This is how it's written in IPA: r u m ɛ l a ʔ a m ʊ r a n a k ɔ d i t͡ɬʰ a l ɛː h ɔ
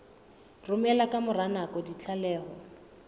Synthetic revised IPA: r ʊ m ɛ l a k a m ʊ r a n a k ɔ d i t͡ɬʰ a l ɛː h ɔ